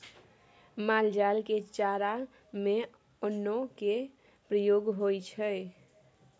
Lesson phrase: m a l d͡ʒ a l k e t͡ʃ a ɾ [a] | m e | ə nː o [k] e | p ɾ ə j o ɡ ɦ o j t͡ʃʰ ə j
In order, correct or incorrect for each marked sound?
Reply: correct, correct

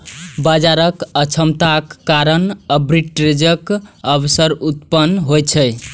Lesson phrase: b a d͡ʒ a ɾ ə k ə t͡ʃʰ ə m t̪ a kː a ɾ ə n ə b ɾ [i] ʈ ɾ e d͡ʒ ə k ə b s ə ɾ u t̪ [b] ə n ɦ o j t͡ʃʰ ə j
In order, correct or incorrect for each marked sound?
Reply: correct, incorrect

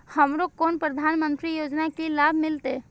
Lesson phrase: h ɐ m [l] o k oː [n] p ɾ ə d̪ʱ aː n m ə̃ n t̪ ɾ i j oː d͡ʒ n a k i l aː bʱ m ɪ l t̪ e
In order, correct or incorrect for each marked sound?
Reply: incorrect, correct

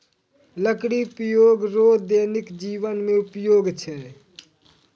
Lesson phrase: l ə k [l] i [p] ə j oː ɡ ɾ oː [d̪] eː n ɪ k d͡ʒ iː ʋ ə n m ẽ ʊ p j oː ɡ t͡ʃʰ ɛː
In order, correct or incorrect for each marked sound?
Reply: incorrect, correct, correct

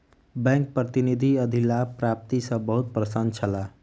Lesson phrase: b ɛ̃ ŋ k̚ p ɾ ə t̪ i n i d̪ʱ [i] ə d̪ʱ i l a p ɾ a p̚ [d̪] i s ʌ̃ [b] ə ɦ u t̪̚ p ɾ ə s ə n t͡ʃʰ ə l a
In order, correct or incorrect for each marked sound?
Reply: correct, incorrect, correct

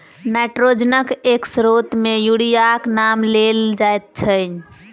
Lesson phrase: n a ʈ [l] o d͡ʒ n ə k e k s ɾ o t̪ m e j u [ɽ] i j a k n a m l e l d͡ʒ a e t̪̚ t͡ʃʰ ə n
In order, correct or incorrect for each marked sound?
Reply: incorrect, correct

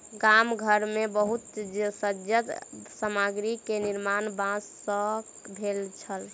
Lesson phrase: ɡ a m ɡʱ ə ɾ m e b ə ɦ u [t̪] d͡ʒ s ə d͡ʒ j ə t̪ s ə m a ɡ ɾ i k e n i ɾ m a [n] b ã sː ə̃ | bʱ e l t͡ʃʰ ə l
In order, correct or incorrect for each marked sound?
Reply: correct, correct

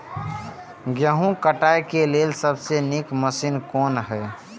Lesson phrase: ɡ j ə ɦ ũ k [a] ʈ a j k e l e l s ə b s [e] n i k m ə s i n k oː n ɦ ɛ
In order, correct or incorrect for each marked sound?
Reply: incorrect, correct

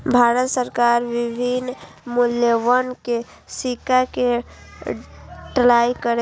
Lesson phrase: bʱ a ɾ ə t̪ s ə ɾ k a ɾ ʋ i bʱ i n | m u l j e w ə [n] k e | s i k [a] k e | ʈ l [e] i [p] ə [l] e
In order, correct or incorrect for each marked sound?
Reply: correct, correct, incorrect, incorrect, incorrect

